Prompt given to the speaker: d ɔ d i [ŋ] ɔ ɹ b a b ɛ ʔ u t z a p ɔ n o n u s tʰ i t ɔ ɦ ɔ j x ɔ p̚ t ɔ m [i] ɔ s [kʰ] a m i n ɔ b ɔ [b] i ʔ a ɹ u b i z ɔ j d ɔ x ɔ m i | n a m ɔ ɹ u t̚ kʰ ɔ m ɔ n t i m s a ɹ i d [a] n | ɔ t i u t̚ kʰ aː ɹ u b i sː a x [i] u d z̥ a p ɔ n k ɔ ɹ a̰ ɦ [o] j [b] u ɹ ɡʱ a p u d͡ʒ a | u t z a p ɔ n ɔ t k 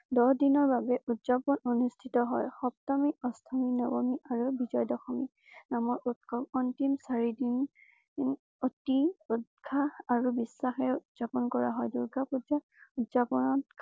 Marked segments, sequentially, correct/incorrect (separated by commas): incorrect, correct, incorrect, incorrect, incorrect, incorrect, incorrect, incorrect